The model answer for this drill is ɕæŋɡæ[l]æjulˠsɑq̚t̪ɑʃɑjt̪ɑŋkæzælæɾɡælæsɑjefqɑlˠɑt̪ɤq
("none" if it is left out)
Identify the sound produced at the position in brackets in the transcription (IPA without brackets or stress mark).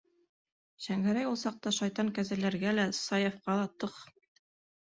ɾ